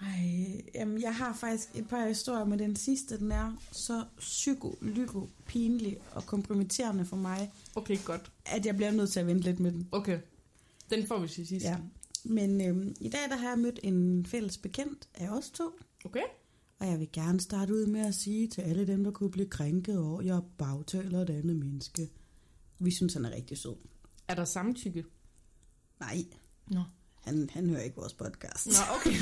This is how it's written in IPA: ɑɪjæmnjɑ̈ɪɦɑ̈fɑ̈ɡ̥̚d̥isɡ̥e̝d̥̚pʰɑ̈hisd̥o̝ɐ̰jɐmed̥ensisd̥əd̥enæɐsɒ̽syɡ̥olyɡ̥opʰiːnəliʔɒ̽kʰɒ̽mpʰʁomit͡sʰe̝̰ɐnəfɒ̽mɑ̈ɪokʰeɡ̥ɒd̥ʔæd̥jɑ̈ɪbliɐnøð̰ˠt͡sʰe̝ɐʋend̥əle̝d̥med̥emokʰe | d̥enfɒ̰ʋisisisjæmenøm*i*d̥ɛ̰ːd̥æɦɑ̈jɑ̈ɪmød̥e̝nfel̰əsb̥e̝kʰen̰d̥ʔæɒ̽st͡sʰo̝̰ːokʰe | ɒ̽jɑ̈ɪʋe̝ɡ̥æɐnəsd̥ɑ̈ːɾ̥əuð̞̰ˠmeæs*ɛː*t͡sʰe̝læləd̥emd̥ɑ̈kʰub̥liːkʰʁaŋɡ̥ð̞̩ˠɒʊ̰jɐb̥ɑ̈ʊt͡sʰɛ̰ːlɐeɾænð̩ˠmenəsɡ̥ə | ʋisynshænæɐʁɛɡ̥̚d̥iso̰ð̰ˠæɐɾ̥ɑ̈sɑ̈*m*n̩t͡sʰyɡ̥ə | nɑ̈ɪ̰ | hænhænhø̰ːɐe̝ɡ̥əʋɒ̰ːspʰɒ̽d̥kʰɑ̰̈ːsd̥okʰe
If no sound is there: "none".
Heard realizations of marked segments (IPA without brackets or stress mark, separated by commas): i, iː, m